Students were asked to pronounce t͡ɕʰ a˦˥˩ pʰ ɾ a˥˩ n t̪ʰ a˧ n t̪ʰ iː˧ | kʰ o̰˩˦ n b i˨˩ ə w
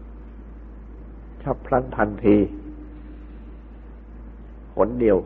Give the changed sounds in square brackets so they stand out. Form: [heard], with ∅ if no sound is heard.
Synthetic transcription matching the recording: t͡ɕʰ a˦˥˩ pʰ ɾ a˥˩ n t̪ʰ a˧ n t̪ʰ iː˧ | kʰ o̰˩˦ n [d] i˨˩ ə w